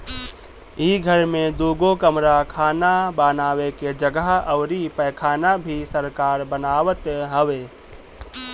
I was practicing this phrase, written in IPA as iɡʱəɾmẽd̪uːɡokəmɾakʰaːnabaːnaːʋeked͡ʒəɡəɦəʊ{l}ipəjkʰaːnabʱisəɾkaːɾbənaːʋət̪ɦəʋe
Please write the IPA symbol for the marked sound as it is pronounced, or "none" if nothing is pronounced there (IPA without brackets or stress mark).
ɾ